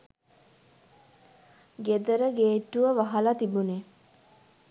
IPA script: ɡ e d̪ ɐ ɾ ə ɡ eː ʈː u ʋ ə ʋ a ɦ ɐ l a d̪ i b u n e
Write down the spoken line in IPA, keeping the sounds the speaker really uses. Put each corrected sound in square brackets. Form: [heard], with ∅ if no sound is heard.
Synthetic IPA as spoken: ɡ e d̪ [ə] ɾ ə ɡ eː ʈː u ʋ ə ʋ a ɦ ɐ l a [t̪] i b u n e